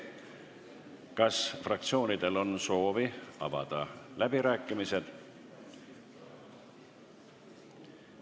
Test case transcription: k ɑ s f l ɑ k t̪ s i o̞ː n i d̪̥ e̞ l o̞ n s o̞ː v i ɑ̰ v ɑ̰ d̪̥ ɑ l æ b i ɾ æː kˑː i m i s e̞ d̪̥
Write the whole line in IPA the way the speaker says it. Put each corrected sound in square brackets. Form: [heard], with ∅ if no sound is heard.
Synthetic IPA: k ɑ s f [r] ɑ k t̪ s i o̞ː n i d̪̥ e̞ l o̞ n s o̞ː v i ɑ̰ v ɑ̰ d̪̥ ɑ l æ b i ɾ æː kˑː i m i s e̞ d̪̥